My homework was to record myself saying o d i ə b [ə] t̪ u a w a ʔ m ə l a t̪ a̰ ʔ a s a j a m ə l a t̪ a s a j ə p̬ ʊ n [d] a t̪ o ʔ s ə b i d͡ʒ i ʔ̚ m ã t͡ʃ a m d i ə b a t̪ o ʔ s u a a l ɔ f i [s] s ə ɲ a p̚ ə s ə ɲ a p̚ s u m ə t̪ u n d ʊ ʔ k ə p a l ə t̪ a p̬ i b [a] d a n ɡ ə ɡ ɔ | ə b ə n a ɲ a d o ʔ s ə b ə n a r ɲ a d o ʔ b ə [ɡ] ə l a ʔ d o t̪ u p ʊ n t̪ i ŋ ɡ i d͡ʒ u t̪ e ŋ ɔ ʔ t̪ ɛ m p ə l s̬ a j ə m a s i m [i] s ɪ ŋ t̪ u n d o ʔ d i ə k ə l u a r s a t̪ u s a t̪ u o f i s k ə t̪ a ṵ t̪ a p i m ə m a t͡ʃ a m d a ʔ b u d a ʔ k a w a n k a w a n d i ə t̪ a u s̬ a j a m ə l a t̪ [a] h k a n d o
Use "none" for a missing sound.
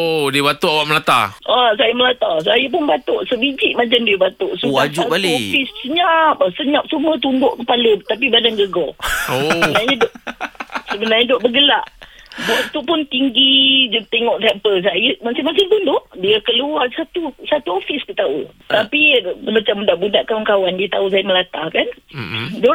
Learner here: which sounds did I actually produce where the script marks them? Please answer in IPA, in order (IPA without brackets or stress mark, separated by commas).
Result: a, b, s, a, ɡ, a, a